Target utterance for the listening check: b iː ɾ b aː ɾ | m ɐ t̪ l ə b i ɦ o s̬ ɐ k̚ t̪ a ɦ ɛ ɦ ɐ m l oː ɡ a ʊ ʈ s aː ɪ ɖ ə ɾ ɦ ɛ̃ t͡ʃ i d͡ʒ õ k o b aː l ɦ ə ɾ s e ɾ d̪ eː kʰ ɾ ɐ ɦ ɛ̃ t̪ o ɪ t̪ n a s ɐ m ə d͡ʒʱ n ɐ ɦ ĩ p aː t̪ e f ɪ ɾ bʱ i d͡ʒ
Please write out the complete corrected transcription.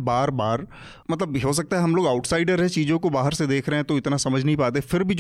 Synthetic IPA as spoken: b aː ɾ b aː ɾ | m ɐ t̪ l ə b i ɦ o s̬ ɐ k̚ t̪ a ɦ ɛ ɦ ɐ m l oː ɡ a ʊ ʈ s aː ɪ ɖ ə ɾ ɦ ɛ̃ t͡ʃ iː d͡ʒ õ k o b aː ɦ ə ɾ s e d̪ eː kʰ ɾ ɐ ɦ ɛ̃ t̪ o ɪ t̪ n a s ɐ m ə d͡ʒʱ n ɐ ɦ ĩ p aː t̪ e f ɪ ɾ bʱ i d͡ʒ